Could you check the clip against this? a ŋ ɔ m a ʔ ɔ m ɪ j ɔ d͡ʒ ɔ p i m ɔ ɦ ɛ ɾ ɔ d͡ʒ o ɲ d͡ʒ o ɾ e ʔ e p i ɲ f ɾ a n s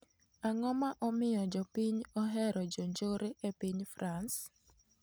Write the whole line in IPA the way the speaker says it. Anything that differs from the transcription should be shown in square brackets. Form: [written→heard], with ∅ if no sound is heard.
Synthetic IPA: a ŋ ɔ m a ʔ ɔ m ɪ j ɔ d͡ʒ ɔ p i [m→ɲ] ɔ ɦ ɛ ɾ ɔ d͡ʒ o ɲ d͡ʒ o ɾ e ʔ e p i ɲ f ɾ a n s